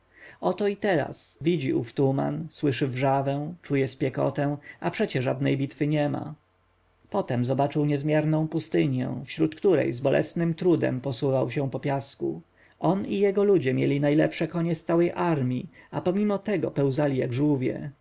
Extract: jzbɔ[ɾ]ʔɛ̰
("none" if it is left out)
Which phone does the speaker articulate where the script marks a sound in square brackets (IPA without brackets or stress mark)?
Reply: l